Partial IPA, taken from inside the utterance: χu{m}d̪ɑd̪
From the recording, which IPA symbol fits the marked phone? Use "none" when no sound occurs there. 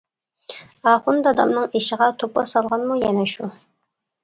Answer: n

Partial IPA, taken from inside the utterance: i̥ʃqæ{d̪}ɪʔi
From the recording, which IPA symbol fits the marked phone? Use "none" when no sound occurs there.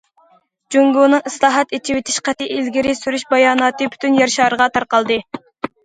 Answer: t̪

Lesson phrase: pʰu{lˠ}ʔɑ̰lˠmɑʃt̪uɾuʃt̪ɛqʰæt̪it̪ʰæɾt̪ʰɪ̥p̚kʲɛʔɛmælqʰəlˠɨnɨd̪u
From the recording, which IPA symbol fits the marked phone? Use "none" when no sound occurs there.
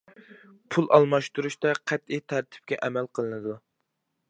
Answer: lˠ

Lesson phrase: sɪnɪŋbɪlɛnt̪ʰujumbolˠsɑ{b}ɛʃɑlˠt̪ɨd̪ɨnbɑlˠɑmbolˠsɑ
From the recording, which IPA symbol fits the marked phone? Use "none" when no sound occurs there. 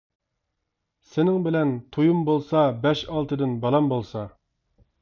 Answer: b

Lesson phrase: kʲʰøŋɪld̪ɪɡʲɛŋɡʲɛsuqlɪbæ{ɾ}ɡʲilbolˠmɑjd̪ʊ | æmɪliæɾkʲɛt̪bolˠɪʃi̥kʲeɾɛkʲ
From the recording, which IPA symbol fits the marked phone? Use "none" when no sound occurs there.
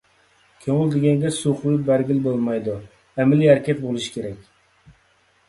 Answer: ɾ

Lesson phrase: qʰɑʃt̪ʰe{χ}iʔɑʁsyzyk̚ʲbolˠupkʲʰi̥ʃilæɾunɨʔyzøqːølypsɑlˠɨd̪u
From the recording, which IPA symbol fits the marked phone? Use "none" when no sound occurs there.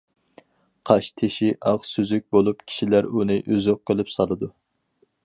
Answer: ʃ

